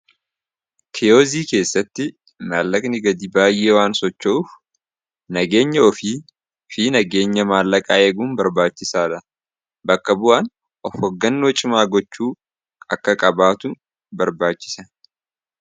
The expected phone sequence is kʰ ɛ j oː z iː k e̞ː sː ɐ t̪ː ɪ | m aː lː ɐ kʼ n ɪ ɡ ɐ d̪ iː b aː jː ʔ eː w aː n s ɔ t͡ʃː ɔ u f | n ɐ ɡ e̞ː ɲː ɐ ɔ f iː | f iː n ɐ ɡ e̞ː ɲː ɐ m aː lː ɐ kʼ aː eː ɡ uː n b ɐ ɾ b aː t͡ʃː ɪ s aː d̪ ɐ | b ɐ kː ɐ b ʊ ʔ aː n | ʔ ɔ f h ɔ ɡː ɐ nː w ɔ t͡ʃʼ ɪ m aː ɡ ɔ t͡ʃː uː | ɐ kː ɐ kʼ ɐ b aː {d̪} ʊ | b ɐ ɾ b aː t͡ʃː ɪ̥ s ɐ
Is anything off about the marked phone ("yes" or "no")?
yes